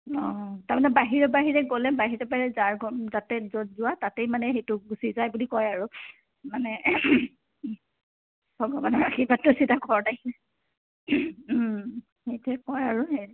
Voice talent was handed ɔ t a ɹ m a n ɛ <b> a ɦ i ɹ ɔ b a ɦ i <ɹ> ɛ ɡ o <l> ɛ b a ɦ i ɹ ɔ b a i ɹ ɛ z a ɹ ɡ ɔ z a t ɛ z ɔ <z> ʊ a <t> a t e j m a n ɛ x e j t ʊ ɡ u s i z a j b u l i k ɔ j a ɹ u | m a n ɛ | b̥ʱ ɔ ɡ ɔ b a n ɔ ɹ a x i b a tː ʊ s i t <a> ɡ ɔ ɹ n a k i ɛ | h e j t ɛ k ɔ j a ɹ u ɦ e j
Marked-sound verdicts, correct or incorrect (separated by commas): correct, correct, correct, correct, correct, correct